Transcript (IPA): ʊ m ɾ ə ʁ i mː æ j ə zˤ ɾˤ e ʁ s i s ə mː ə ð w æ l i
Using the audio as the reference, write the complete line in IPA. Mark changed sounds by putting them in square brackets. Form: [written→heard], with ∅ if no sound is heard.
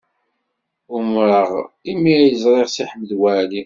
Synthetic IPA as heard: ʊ m ɾ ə ʁ i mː [æ→i] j ə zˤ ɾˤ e ʁ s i [s→ħ] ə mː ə ð w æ l i

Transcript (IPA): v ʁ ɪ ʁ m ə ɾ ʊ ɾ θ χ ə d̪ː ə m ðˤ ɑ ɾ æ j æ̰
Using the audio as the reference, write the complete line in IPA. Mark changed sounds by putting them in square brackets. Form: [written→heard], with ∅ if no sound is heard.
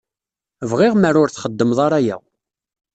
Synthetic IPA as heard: v ʁ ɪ ʁ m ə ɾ ʊ ɾ θ χ ə d̪ː ə m ðˤ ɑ ɾ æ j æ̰

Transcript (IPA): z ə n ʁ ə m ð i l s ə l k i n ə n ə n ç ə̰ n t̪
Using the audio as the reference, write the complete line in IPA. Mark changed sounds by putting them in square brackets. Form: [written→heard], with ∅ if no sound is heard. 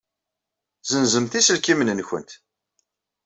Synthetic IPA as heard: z ə n [ʁ→z] ə m [ð→θ] i [l→∅] s ə l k i [n→m] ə n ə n ç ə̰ n t̪

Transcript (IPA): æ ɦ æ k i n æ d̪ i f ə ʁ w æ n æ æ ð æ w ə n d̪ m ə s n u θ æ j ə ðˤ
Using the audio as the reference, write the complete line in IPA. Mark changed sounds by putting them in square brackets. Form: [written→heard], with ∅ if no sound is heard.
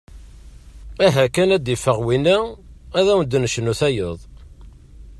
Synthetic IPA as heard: æ ɦ æ k [i→æ] n æ d̪ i f ə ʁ w [æ→i] n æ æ ð æ w ə n d̪ [m→n] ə [s→ʃ] n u θ æ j ə ðˤ

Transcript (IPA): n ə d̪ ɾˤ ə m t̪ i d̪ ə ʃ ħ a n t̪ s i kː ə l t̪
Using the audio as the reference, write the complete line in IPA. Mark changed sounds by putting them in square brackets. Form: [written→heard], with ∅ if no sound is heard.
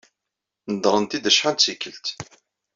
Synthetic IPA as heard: n ə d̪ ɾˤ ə [m→n] t̪ i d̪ ə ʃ ħ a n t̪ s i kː ə l t̪

